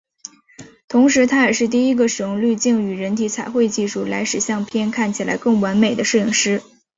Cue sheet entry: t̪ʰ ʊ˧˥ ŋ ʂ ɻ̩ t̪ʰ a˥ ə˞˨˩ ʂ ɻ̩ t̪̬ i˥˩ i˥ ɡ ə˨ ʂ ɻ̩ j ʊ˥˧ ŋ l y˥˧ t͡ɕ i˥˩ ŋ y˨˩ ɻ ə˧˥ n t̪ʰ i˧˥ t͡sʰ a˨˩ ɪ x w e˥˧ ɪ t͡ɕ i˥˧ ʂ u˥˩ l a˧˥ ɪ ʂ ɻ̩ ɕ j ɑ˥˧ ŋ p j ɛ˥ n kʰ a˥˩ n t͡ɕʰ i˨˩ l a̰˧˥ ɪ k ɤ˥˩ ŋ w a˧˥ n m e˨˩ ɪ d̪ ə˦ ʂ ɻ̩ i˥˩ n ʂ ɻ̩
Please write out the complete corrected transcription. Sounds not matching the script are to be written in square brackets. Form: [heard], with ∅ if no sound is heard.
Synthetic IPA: t̪ʰ ʊ˧˥ ŋ ʂ ɻ̩ t̪ʰ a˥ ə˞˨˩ ʂ ɻ̩ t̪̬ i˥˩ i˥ ɡ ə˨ ʂ ɻ̩ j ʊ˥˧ ŋ l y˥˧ t͡ɕ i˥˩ ŋ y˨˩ ɻ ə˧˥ n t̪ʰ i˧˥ t͡sʰ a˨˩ ɪ x w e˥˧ ɪ t͡ɕ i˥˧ ʂ u˥˩ l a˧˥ ɪ ʂ ɻ̩ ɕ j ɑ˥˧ ŋ [pʰ] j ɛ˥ n kʰ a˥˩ n t͡ɕʰ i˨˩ l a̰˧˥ ɪ k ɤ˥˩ ŋ w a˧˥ n m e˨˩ ɪ d̪ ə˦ ʂ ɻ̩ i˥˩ [ŋ] ʂ ɻ̩